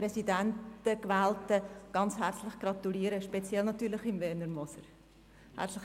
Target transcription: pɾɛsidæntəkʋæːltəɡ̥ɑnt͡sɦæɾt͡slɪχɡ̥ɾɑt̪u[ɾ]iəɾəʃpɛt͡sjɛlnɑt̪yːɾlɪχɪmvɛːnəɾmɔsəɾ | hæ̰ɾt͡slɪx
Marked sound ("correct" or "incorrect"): incorrect